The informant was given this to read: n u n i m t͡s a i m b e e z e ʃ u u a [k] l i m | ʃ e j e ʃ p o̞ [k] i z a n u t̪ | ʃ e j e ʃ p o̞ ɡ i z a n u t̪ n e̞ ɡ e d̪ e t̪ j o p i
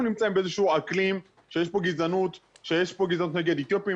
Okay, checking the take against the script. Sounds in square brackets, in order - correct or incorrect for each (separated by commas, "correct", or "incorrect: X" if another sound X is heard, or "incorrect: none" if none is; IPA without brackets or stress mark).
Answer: correct, incorrect: ɡ